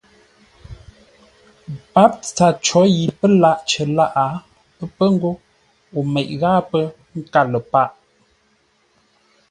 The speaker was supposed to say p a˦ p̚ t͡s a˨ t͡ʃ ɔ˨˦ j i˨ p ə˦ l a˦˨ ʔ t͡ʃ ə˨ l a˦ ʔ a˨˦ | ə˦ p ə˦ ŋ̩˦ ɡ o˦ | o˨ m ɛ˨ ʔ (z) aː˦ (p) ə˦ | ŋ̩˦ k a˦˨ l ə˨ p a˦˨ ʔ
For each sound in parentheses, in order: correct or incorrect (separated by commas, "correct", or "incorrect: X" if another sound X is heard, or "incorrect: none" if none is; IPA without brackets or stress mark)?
incorrect: ɣ, correct